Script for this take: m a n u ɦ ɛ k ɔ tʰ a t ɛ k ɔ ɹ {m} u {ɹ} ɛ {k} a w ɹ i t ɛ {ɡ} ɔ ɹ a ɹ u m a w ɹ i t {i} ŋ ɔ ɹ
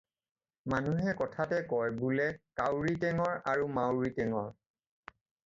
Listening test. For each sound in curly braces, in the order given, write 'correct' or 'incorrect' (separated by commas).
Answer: incorrect, incorrect, correct, incorrect, incorrect